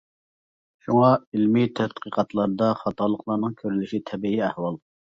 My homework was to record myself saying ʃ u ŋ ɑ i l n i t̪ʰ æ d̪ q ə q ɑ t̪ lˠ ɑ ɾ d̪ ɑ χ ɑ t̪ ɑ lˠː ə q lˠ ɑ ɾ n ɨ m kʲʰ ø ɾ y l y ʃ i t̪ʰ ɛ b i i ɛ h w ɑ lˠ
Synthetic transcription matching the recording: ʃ u ŋ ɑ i l m i t̪ʰ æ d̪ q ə q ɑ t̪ lˠ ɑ ɾ d̪ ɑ χ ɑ t̪ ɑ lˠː ə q lˠ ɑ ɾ n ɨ ŋ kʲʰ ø ɾ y l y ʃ i t̪ʰ ɛ b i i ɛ h w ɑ lˠ